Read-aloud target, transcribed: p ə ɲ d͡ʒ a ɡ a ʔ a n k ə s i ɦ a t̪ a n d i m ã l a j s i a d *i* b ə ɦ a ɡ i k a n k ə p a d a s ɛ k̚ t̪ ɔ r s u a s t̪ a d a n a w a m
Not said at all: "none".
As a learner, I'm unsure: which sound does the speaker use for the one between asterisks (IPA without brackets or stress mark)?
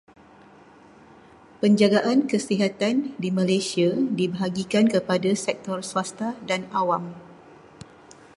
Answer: i